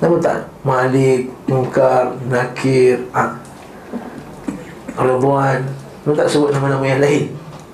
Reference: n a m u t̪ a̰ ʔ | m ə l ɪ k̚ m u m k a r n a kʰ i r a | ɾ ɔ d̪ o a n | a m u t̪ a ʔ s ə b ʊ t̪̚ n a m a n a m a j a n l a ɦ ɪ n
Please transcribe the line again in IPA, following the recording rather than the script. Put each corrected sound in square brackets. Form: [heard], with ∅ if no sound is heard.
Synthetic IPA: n a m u t̪ a̰ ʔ | m [a] l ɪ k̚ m u [ŋ] k a r n a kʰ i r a | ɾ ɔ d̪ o a n | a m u t̪ a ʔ s ə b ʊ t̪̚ n a m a n a m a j a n l a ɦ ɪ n